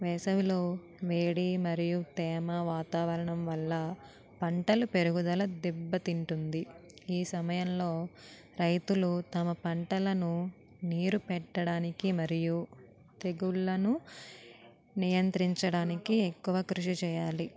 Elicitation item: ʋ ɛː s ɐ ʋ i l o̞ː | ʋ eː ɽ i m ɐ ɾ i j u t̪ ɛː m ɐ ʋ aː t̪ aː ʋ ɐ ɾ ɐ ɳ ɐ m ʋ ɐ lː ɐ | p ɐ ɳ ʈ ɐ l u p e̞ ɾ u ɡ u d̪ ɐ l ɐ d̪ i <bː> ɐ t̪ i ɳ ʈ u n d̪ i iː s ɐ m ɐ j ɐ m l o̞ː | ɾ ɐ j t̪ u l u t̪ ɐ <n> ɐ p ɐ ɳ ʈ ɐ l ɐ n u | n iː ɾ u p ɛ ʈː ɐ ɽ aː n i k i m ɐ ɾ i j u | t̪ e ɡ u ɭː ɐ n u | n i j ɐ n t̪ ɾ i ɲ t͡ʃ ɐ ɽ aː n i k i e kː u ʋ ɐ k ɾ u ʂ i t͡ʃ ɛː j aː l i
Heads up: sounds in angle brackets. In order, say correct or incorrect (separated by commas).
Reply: correct, incorrect